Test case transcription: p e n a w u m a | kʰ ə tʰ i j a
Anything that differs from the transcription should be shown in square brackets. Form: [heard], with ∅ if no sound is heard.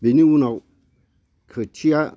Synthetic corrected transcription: [b] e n [i] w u [n] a | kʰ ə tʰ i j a

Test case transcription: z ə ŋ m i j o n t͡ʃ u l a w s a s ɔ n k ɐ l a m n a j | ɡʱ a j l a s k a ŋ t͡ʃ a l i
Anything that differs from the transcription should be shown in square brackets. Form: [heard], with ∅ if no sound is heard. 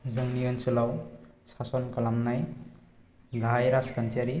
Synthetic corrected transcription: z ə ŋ [n] i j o n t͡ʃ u l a w s a s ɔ n k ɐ l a m n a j | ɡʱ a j [ɾ] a s k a [n] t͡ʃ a [ɾ] i

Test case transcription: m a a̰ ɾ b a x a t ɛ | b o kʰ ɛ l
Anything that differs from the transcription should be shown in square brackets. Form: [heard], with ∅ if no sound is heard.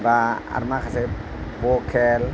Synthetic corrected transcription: [b] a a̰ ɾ [m] a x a [s] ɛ | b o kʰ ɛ l

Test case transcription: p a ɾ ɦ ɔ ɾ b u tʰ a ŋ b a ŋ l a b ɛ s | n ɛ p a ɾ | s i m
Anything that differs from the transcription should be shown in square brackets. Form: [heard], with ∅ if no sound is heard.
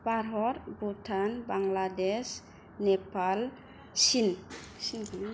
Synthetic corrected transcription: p a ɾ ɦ ɔ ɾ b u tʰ a [n] b a ŋ l a [d] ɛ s | n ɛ p a [l] | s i [n]

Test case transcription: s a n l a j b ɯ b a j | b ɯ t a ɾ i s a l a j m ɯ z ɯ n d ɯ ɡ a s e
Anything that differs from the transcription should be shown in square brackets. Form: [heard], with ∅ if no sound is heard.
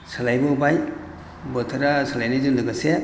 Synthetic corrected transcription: s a [∅] l a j b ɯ b a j | b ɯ [tʰ] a ɾ [a] s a l a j [n] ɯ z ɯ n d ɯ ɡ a s e

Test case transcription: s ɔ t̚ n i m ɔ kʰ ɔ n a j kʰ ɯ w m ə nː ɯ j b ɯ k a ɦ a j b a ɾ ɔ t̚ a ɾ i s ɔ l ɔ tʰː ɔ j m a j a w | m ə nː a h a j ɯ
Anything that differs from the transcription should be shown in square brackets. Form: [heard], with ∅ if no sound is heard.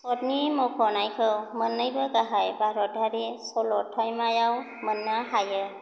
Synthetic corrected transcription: s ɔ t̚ n i m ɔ kʰ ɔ n a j kʰ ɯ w m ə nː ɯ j b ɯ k a ɦ a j b a ɾ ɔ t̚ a ɾ i s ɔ l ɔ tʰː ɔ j m a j a w | m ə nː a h a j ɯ

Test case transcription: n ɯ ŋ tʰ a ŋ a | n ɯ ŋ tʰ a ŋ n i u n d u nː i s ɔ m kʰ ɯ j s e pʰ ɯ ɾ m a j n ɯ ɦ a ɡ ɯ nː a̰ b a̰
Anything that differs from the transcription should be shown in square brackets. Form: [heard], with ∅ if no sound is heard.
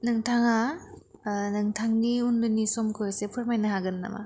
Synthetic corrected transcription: n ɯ ŋ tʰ a ŋ a | n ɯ ŋ tʰ a ŋ n i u n d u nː i s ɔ m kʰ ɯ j s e pʰ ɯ ɾ m a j n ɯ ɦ a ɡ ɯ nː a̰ [m] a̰

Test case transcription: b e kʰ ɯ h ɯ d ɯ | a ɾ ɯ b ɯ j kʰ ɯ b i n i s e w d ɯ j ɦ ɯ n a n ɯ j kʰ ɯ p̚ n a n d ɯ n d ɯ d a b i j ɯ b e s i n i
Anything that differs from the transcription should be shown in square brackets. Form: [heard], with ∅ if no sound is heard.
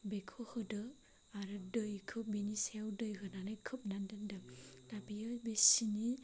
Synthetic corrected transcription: b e kʰ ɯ h ɯ d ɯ | a ɾ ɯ [d] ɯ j kʰ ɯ b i n i s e w d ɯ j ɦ ɯ n a n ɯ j kʰ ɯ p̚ n a n d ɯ n d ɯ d a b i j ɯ b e s i n i

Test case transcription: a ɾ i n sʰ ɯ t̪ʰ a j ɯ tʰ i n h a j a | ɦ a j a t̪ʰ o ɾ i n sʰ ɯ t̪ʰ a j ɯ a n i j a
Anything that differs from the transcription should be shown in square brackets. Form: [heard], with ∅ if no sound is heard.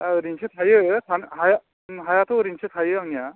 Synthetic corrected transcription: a ɾ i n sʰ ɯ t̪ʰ a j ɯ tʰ [a] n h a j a | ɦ a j a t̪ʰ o ɾ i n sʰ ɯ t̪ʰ a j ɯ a [ŋ] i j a

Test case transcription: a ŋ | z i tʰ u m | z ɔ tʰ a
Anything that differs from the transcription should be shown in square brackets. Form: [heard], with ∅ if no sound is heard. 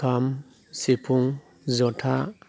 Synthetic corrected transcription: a [m] | [s] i [pʰ] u [ŋ] | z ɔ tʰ a

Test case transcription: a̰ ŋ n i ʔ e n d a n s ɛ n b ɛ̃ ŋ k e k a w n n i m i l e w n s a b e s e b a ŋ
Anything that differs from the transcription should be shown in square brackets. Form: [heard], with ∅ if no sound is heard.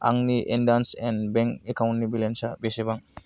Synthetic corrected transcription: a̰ ŋ n i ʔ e n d a n s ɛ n b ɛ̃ ŋ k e k a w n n i [b] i l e [∅] n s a b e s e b a ŋ

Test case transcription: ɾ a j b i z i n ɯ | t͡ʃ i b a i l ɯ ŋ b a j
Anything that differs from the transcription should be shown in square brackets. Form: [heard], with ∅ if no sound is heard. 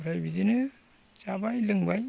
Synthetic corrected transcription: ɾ a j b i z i n ɯ | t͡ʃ [a] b a [j] l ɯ ŋ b a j

